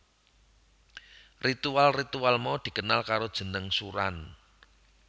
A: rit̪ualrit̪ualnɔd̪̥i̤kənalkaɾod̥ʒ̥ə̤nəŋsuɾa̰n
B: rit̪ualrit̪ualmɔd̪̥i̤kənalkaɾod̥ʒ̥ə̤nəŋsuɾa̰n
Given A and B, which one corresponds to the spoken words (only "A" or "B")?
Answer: B